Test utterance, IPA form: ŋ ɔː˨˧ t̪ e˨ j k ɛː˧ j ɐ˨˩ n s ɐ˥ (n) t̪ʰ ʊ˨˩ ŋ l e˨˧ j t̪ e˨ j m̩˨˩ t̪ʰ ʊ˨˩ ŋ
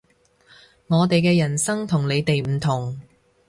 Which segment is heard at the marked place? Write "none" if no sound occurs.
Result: ŋ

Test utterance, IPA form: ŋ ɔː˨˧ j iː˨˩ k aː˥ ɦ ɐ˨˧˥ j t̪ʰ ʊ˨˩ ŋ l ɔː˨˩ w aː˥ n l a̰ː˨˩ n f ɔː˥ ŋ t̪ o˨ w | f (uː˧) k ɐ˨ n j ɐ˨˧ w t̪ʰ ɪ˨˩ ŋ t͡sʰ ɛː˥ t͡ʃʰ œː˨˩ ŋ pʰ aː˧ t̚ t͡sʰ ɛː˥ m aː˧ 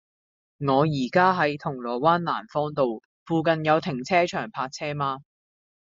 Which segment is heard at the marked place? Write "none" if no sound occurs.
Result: uː˧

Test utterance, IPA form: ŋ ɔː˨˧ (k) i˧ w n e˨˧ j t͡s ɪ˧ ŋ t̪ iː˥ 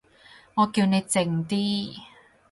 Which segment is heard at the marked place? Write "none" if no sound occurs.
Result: k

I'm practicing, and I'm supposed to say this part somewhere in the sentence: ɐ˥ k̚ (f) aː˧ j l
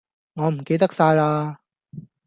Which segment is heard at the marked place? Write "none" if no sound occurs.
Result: s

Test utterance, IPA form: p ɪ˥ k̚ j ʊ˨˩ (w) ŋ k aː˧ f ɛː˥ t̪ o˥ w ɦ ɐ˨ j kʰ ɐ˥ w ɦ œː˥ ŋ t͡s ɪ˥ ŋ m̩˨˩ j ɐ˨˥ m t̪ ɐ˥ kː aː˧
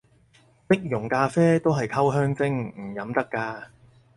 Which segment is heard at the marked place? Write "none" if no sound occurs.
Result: none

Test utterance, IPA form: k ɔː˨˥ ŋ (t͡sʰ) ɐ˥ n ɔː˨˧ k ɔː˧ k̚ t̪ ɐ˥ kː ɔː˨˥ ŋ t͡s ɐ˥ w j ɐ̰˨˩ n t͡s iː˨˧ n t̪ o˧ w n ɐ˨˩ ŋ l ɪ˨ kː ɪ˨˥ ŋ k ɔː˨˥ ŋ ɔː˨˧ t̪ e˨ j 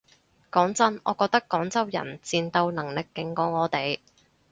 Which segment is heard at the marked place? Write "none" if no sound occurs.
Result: t͡s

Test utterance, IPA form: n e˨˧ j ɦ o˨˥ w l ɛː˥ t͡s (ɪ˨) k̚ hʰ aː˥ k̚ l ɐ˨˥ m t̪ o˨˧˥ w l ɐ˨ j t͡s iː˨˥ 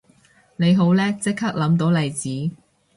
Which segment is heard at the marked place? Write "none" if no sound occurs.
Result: ɪ˥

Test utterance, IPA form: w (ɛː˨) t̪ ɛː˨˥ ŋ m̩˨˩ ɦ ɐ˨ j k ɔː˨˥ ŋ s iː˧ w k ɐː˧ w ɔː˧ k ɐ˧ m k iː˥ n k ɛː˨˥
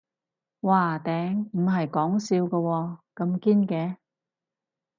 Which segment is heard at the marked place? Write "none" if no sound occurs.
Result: aː˨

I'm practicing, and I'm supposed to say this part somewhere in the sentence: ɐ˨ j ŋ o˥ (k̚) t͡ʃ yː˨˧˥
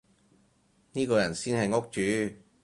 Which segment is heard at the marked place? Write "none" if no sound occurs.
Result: k̚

